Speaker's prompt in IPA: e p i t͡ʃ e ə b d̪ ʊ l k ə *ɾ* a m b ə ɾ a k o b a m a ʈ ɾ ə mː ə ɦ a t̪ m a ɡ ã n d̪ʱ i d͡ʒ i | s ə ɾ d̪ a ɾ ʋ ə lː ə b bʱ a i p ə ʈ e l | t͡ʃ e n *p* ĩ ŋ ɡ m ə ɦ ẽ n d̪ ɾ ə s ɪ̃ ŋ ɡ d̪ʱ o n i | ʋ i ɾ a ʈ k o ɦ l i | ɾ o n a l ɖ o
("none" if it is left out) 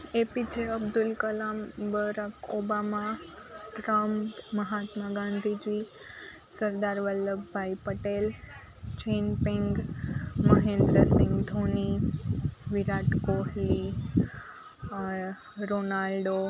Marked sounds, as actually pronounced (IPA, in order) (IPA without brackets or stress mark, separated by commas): l, p